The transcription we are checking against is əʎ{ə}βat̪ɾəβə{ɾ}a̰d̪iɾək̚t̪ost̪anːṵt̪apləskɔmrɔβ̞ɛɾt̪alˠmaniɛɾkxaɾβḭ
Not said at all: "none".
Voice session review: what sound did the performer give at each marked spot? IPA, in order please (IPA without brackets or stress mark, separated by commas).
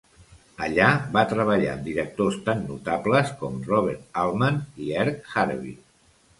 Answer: a, ʎ